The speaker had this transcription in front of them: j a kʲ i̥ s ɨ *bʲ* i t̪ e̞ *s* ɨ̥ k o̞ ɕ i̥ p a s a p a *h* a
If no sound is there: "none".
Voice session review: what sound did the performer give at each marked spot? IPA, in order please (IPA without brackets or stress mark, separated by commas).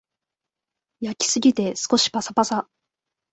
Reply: ɡʲ, s, s